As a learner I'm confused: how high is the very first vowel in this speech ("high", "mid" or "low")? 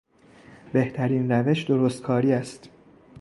mid